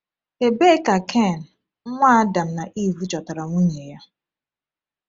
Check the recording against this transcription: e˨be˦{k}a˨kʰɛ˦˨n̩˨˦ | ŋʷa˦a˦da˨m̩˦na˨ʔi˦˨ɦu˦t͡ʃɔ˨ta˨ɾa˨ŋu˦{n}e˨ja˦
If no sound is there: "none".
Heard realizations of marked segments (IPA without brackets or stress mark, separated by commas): k, ɲ